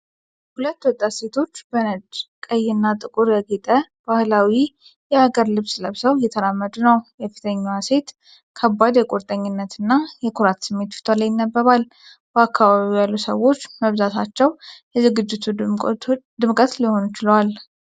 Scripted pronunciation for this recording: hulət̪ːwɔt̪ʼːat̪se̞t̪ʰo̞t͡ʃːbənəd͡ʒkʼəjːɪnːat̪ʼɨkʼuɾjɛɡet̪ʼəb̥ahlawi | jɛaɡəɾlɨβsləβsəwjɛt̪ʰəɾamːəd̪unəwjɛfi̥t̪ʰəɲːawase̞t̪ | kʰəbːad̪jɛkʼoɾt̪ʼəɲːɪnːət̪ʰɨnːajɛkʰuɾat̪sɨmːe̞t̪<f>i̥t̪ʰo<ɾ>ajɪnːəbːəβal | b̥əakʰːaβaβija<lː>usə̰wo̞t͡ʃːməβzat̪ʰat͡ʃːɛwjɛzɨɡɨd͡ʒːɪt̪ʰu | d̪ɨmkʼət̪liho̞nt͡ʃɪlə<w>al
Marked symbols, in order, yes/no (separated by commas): yes, no, yes, yes